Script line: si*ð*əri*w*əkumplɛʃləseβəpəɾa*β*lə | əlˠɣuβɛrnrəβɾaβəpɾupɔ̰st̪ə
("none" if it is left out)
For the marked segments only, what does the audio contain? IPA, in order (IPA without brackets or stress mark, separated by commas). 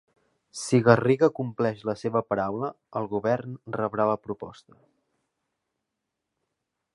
ɣ, ɣ, w